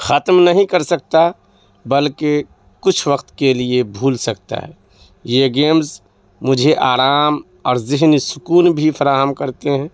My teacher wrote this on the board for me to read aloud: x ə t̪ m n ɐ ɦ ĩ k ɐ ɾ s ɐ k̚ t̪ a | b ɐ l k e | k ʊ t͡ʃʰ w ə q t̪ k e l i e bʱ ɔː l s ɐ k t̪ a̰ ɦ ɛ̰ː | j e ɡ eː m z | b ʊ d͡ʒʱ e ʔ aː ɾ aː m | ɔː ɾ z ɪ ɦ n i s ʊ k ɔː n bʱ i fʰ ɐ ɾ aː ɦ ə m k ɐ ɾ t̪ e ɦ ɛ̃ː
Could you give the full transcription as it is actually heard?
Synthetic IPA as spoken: x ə t̪ m n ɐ ɦ ĩ k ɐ ɾ s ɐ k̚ t̪ a | b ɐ l k e | k ʊ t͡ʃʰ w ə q t̪ k e l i e bʱ uː l s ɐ k t̪ a̰ ɦ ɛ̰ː | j e ɡ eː m z | m ʊ d͡ʒʱ e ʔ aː ɾ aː m | ɔː ɾ z ɪ ɦ n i s ʊ k uː n bʱ i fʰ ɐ ɾ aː ɦ ə m k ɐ ɾ t̪ e ɦ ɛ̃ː